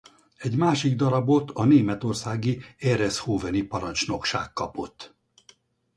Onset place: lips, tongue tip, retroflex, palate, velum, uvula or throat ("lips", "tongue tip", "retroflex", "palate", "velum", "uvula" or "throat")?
palate